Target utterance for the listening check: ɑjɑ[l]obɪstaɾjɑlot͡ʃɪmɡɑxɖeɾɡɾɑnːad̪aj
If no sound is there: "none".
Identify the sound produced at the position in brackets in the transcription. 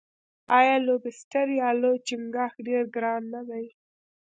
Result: l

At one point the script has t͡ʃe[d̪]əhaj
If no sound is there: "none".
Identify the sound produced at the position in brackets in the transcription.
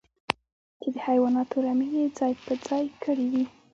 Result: d̪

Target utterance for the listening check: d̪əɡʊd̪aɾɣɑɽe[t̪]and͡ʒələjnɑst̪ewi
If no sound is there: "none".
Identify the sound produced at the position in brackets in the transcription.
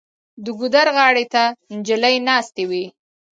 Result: t̪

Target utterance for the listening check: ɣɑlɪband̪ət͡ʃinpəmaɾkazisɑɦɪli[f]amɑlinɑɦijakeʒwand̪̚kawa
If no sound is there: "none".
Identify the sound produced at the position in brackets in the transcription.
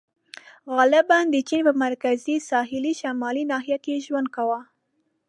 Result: ʃ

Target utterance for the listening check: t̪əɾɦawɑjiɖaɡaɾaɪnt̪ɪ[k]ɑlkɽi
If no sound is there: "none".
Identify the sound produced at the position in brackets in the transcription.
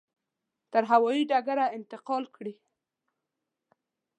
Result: q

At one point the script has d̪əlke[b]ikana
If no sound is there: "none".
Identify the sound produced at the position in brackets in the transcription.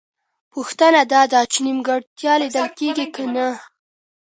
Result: ɡ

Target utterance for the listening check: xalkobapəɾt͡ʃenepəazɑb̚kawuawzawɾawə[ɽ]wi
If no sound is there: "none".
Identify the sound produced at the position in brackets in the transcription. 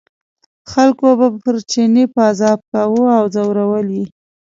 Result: l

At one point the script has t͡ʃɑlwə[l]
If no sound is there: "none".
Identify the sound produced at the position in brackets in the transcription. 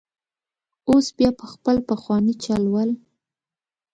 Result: l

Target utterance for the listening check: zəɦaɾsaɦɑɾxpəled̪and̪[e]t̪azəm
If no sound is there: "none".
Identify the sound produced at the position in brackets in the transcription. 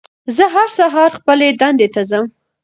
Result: e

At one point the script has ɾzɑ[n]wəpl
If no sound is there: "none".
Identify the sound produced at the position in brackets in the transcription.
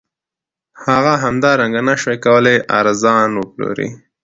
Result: n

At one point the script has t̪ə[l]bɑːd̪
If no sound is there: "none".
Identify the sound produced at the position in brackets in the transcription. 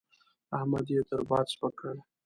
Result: ɾ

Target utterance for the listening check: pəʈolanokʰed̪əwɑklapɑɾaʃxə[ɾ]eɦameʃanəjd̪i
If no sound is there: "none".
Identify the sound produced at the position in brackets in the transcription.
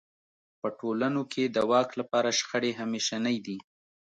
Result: ɽ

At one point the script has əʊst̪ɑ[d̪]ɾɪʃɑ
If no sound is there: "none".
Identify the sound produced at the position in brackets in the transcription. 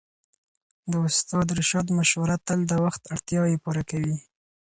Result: d̪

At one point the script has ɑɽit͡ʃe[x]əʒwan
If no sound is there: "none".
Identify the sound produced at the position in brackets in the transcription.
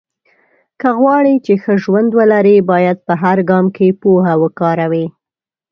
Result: x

